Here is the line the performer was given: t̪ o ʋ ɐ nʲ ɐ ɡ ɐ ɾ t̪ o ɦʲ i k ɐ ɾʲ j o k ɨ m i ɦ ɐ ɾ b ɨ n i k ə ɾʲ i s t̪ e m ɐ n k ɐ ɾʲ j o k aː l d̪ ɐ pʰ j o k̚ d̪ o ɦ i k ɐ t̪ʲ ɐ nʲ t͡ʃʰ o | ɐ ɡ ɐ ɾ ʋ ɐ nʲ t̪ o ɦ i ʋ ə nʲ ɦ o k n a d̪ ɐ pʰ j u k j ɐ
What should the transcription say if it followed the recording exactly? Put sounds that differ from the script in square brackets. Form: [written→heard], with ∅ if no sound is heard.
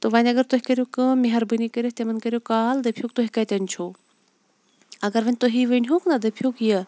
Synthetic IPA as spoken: t̪ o ʋ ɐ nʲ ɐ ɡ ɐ ɾ t̪ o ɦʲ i k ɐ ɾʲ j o k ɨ m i ɦ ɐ ɾ b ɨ n i k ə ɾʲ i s t̪ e m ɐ n k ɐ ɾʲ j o k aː l d̪ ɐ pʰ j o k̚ [d̪→t̪] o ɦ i k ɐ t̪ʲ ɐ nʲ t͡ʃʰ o | ɐ ɡ ɐ ɾ ʋ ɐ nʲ t̪ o ɦ i ʋ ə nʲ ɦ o k n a d̪ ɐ pʰ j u k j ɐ

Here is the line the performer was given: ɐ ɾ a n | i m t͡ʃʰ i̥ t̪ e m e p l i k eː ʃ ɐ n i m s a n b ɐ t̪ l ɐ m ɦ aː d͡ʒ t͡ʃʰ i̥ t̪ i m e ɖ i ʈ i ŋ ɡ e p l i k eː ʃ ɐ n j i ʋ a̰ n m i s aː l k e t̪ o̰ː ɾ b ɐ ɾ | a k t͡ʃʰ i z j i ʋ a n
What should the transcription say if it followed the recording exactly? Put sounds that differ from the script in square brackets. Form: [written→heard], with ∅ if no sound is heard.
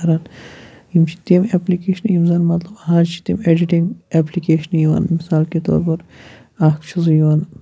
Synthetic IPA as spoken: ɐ ɾ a n | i m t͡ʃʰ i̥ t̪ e m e p l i k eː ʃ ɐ n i m [s→z] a n [b→m] ɐ t̪ l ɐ [m→b] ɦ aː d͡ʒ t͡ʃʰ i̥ t̪ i m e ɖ i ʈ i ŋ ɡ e p l i k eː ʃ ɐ n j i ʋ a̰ n m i s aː l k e t̪ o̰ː ɾ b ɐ ɾ | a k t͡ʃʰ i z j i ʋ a n

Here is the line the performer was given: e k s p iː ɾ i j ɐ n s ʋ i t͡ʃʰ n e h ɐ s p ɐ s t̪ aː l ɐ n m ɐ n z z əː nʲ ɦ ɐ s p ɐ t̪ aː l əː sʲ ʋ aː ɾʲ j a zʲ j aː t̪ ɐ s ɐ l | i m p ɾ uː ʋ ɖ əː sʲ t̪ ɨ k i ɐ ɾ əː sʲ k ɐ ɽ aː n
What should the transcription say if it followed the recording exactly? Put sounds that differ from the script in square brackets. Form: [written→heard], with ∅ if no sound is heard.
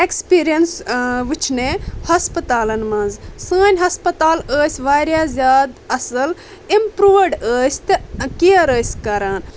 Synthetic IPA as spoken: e k s p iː ɾ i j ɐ n s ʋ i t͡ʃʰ n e h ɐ s p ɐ [s→∅] t̪ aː l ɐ n m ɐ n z [z→s] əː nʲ ɦ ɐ s p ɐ t̪ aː l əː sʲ ʋ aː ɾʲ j a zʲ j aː [t̪→d̪] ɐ s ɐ l | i m p ɾ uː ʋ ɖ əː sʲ t̪ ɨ k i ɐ ɾ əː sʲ k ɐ [ɽ→ɾ] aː n

